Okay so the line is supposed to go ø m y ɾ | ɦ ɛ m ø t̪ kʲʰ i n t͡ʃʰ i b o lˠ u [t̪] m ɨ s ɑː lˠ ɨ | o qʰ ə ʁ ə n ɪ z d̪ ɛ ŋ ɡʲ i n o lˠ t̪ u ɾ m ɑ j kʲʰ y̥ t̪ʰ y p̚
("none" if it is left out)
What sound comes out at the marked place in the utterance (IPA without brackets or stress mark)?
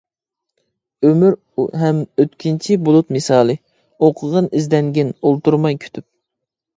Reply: t̪